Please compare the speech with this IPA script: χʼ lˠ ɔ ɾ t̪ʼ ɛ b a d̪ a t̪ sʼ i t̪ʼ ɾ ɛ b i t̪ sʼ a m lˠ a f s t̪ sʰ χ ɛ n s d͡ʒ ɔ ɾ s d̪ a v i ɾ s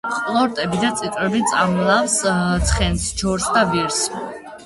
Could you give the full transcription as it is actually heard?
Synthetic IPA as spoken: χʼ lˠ ɔ ɾ t̪ʼ ɛ b i d̪ a t̪ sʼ i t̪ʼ ɾ ɛ b i t̪ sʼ a m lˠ a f s t̪ sʰ χ ɛ n s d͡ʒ ɔ ɾ s d̪ a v i ɾ s